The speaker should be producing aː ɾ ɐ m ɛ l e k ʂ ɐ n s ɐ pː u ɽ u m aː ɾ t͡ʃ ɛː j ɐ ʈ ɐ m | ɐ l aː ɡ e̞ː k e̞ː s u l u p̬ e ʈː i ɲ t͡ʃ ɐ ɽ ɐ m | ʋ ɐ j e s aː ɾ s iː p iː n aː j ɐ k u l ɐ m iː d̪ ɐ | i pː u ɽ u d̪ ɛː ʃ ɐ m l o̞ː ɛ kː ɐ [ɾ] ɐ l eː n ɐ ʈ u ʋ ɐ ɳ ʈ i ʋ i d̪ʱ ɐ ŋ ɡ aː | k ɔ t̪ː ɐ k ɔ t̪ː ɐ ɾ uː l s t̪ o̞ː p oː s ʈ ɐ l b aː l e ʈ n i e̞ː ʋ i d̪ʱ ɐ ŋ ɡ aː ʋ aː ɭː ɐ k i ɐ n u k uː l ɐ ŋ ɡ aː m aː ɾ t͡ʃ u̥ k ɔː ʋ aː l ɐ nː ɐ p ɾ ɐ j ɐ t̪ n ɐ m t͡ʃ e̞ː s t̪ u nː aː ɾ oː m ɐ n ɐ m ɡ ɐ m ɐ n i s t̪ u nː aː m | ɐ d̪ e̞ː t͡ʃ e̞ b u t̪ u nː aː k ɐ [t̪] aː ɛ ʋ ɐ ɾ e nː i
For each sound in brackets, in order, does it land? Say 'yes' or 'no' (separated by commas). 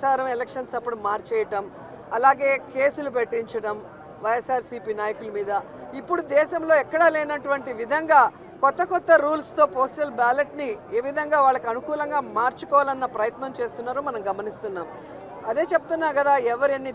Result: no, no